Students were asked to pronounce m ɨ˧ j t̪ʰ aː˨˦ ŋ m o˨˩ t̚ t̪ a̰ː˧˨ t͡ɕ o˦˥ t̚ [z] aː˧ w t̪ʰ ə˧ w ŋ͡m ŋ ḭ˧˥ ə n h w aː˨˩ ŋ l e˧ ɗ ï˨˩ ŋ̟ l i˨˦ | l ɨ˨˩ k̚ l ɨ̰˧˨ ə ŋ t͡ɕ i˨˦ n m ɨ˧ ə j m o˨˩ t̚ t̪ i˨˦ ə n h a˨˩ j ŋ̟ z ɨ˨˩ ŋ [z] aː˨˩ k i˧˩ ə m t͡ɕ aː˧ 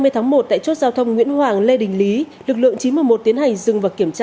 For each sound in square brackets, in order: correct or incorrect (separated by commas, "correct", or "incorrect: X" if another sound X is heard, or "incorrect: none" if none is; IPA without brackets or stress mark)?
correct, incorrect: v